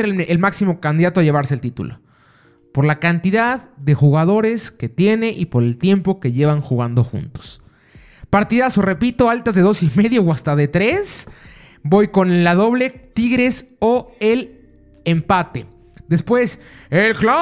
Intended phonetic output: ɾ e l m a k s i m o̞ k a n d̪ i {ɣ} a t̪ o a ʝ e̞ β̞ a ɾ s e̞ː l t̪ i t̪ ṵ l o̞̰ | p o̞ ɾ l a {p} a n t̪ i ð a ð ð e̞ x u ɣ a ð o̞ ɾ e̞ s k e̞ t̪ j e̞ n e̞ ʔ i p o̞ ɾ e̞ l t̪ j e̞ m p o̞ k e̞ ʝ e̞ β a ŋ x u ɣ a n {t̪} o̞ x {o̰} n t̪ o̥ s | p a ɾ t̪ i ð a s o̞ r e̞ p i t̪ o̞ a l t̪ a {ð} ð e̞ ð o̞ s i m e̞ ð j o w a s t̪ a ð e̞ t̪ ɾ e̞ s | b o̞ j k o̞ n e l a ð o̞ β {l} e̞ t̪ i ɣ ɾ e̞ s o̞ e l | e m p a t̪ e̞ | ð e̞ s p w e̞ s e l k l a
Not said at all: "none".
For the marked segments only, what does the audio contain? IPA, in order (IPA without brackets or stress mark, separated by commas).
ð, k, d̪, ṵ, z, l